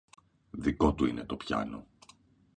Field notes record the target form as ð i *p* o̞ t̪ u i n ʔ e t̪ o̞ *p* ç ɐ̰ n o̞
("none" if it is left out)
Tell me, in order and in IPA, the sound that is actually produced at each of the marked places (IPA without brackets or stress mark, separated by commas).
k, p